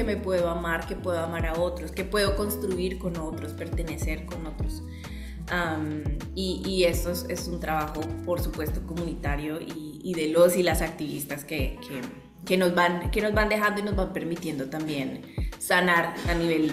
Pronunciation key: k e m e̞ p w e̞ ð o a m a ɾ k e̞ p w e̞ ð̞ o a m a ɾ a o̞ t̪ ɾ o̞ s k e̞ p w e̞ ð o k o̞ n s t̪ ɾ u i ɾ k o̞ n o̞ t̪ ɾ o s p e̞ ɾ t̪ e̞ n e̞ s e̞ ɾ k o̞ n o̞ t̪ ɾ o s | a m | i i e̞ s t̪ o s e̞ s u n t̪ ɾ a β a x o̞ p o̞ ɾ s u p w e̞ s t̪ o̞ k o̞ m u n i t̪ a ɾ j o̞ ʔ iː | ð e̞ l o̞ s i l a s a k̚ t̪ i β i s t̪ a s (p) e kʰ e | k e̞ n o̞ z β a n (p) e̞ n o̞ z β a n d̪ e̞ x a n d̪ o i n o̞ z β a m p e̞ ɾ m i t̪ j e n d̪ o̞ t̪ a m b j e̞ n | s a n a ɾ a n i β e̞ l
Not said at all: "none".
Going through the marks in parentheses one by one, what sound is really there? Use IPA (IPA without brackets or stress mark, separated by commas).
k, k